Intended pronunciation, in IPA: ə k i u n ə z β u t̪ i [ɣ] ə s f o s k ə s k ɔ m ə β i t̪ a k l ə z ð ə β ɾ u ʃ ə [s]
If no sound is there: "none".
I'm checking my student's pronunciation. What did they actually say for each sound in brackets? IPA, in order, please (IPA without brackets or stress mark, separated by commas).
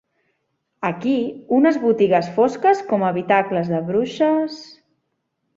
ɣ, s